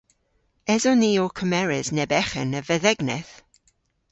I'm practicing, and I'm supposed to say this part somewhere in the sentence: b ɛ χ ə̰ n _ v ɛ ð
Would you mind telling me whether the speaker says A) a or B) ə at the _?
B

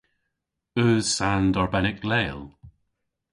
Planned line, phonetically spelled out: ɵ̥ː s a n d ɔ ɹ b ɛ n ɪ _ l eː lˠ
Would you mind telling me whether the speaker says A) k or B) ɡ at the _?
A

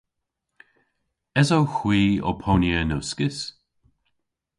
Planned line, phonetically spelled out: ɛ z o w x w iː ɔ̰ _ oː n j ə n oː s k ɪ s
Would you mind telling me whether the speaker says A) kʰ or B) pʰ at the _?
B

